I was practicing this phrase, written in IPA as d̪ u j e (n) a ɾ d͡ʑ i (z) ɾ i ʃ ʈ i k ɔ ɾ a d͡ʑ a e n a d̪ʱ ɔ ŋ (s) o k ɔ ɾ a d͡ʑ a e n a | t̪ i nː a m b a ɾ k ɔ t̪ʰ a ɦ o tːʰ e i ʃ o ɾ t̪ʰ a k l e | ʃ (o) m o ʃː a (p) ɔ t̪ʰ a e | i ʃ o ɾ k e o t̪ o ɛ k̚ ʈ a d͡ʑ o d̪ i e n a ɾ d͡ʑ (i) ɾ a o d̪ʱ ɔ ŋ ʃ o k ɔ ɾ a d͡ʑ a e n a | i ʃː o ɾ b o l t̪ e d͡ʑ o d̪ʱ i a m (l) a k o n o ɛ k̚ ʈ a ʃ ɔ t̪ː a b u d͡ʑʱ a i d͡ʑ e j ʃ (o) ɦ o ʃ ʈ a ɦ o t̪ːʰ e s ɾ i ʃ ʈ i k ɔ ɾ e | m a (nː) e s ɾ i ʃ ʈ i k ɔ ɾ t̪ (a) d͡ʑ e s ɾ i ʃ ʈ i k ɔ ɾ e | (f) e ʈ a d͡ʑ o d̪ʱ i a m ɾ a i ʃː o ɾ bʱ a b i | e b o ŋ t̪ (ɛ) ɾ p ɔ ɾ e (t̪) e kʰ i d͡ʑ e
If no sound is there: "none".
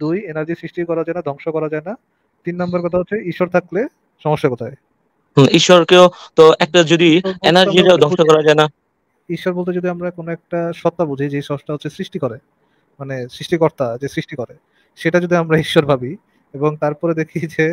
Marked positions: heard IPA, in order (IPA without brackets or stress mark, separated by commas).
n, s, ʃ, ɔ, k, i, ɾ, ɔ, n, a, ʃ, a, d̪